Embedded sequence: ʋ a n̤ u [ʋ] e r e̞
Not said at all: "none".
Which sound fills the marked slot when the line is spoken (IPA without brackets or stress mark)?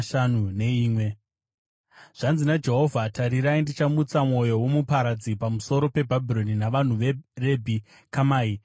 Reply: ʋ